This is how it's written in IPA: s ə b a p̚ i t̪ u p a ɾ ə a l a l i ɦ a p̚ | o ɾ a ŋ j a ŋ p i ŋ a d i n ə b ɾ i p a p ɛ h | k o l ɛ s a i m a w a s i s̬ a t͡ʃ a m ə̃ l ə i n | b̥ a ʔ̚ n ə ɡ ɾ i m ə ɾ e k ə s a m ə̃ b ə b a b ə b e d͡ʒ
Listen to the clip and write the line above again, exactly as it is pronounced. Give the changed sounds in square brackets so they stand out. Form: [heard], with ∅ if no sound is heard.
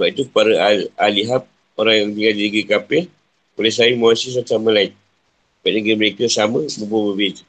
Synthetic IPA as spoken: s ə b a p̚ i t̪ u p a ɾ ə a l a l i ɦ a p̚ | o ɾ a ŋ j a ŋ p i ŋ a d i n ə [ɡ] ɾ i [k] a p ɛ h | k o l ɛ s a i m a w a s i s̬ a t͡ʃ a m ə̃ l [a] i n | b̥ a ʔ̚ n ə ɡ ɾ i m ə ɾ e k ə s a m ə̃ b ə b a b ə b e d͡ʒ